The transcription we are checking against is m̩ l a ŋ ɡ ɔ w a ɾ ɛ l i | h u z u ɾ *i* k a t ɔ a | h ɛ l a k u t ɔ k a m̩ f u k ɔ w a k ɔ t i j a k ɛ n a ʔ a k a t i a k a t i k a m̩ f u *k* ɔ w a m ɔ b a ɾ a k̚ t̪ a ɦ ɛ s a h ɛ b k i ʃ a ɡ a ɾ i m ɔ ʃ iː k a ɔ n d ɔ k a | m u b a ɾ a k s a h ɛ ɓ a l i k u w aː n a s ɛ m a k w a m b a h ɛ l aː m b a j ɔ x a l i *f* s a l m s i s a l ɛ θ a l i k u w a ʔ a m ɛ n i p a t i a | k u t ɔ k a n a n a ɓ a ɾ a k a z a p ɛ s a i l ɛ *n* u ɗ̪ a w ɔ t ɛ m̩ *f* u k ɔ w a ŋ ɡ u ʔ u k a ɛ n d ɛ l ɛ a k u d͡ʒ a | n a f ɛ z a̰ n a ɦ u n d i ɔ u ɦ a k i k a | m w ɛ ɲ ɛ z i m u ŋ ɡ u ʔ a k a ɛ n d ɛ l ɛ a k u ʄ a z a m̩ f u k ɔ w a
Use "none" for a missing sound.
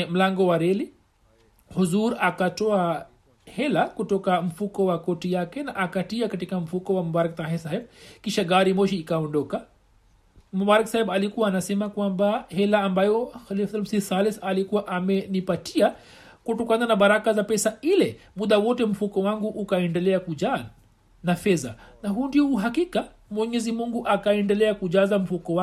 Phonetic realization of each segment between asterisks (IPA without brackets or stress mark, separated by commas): a, k, f, m, f